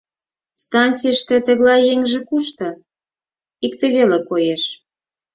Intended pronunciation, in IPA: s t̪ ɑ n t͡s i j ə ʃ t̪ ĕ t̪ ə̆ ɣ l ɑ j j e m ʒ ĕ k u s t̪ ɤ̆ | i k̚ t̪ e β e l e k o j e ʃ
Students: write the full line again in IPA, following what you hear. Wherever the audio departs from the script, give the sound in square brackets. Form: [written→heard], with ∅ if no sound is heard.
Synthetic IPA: s t̪ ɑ n t͡s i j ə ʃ t̪ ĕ t̪ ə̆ ɣ l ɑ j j e [m→ŋ] ʒ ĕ k u [s→ʃ] t̪ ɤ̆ | i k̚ t̪ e β e l e k o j e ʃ